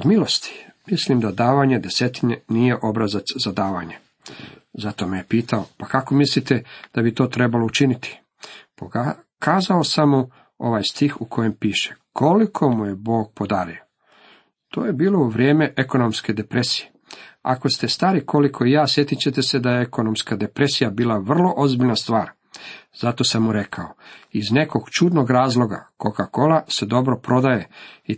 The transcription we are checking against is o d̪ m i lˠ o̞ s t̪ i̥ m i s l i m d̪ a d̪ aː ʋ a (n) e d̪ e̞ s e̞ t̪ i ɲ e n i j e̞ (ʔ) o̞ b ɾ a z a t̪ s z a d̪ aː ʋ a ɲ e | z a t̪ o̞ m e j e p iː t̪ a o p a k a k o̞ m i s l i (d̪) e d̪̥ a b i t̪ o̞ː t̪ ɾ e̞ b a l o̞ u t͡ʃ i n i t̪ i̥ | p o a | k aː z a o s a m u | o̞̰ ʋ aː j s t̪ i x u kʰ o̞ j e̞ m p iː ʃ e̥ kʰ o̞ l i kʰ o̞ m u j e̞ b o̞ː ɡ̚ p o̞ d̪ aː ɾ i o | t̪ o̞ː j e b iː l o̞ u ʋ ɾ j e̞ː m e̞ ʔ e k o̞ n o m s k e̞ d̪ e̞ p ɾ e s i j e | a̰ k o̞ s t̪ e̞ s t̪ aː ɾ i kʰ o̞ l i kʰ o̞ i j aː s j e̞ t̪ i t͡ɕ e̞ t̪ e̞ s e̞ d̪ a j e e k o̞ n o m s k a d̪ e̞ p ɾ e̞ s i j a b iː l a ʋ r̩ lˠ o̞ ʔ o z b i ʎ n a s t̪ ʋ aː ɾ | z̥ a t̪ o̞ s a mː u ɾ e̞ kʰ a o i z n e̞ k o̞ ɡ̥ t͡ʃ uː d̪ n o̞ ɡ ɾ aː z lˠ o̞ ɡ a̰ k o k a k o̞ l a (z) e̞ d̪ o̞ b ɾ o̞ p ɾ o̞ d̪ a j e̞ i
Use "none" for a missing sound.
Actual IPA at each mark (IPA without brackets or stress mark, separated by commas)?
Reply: ɲ, ʔ, t̪, s